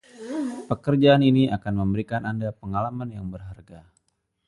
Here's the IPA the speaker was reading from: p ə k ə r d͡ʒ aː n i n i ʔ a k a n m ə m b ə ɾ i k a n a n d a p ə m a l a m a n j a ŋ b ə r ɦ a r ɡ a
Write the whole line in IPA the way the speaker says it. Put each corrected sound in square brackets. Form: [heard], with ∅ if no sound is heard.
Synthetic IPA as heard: p ə k ə r d͡ʒ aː n i n i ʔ a k a n m ə m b ə ɾ i k a n a n d a p ə [ŋ] a l a m a n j a ŋ b ə r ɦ a r ɡ a